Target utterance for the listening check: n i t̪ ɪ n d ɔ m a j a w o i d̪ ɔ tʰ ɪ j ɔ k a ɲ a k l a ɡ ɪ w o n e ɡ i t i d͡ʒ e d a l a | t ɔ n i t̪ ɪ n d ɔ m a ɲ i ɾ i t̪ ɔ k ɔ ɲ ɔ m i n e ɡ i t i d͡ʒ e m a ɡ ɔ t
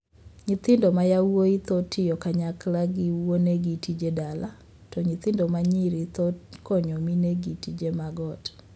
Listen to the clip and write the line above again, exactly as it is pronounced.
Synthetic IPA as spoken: ɲ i t̪ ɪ n d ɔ m a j a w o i t̪ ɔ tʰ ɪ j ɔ k a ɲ a k l a ɡ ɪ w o n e ɡ i t i d͡ʒ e d a l a | t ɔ ɲ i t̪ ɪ n d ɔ m a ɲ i ɾ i t̪ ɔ k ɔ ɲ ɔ m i n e ɡ i t i d͡ʒ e m a ɡ ɔ t